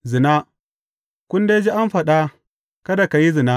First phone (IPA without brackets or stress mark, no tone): z